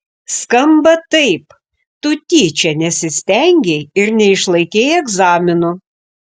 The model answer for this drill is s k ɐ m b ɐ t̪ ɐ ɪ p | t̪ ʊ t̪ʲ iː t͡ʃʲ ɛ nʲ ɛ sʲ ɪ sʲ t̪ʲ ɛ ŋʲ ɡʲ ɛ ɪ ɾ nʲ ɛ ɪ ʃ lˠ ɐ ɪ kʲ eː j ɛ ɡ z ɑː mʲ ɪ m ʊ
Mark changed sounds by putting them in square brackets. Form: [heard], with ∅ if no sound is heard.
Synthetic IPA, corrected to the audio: s k ɐ m b ɐ t̪ ɐ ɪ p | t̪ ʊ t̪ʲ iː t͡ʃʲ ɛ nʲ ɛ sʲ ɪ sʲ t̪ʲ ɛ ŋʲ ɡʲ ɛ ɪ ɾ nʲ ɛ ɪ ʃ lˠ ɐ ɪ kʲ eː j ɛ ɡ z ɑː mʲ ɪ [n] ʊ